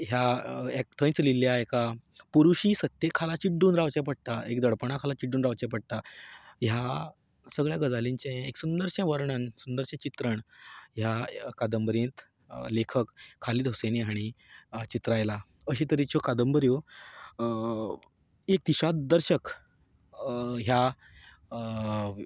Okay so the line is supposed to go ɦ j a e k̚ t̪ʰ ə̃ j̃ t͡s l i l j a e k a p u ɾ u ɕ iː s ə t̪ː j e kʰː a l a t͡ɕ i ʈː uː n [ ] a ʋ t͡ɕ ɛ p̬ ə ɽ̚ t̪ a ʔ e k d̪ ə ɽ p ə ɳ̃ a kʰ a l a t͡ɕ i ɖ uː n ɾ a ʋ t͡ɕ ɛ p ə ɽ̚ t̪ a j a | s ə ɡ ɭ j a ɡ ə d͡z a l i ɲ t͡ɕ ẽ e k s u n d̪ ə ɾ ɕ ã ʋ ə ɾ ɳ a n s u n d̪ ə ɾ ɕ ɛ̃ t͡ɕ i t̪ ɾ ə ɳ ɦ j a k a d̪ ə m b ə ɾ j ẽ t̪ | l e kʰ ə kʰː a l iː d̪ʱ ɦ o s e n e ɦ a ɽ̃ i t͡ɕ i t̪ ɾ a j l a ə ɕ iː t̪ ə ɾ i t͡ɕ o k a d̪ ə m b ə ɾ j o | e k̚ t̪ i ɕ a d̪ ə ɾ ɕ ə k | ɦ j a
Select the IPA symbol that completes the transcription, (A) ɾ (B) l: A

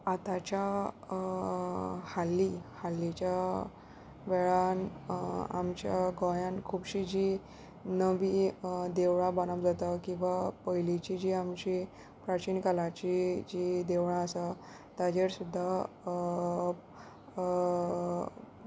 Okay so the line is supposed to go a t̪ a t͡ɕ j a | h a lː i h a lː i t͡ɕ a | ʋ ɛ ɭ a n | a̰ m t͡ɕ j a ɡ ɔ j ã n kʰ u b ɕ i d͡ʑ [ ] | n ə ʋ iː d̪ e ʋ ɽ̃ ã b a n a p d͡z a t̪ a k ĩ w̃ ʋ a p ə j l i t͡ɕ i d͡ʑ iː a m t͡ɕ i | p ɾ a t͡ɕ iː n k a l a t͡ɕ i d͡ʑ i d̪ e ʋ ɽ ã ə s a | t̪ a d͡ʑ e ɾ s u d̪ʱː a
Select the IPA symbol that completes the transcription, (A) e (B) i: B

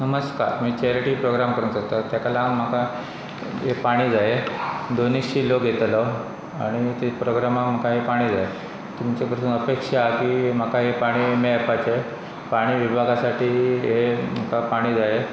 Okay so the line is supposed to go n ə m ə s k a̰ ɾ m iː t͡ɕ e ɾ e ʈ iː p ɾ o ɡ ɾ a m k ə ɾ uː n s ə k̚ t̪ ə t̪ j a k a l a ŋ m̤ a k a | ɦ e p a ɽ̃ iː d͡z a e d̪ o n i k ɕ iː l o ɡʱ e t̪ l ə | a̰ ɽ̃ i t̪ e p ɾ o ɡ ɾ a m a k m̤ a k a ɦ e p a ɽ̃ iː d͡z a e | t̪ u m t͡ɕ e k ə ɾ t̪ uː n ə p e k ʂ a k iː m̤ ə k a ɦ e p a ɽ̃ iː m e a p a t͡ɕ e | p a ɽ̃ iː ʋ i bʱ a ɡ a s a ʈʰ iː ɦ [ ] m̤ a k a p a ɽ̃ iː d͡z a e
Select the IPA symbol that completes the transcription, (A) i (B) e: B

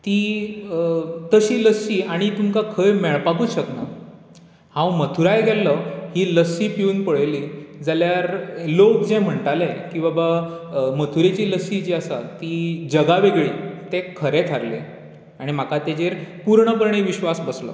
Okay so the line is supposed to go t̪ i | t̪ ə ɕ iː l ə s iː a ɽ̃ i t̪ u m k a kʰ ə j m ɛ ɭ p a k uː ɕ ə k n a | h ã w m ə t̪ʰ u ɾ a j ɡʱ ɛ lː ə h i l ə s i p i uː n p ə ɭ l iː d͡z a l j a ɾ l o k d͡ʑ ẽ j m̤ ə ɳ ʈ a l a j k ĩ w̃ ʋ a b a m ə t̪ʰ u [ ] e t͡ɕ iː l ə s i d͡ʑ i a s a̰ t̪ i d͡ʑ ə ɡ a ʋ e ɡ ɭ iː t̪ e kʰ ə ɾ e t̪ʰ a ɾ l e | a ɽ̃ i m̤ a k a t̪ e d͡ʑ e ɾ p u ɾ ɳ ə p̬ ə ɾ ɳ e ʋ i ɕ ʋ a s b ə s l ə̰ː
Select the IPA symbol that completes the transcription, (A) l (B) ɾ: B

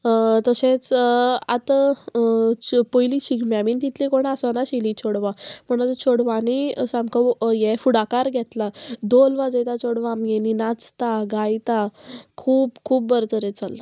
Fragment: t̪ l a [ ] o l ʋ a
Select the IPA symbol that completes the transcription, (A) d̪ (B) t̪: A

